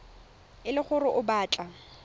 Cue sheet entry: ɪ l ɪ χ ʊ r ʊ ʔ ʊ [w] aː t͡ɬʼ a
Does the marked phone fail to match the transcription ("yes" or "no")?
yes